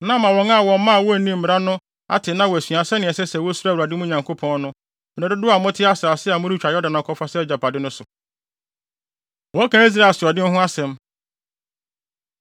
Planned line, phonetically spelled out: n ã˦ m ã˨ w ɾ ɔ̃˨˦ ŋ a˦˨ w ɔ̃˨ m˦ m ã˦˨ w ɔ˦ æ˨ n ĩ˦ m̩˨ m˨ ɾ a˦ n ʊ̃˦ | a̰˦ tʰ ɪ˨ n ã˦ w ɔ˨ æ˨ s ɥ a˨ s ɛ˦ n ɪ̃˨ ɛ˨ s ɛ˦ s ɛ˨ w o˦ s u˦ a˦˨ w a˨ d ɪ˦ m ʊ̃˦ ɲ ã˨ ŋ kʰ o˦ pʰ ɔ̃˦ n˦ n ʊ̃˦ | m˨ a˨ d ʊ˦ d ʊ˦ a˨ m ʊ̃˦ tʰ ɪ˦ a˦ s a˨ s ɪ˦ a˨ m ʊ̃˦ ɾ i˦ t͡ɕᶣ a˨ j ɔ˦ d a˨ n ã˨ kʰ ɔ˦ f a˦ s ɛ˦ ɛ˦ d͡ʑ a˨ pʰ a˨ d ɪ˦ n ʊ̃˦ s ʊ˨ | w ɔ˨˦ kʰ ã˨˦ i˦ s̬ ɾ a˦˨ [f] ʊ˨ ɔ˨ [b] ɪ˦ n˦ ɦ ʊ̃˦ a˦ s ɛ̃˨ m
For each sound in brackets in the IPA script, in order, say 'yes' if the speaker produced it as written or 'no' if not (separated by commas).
no, no